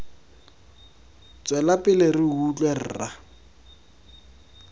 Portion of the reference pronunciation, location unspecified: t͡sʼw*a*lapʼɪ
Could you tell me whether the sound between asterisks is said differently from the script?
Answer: yes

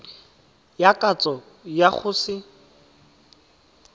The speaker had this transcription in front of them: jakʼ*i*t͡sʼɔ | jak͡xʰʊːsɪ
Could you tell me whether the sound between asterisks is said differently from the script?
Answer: yes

